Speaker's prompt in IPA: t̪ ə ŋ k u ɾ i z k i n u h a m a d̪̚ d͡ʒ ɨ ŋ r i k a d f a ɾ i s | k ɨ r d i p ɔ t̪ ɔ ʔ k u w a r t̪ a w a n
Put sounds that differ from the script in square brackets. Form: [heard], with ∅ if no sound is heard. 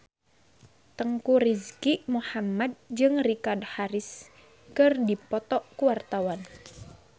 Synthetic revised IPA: t̪ ə ŋ k u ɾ i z k i [m] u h a m a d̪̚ d͡ʒ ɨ ŋ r i k a d [h] a ɾ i s | k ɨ r d i p ɔ t̪ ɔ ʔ k u w a r t̪ a w a n